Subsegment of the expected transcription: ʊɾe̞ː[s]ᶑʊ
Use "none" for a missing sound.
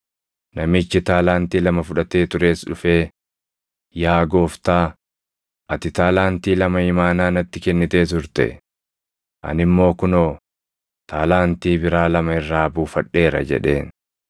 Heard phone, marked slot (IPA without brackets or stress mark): s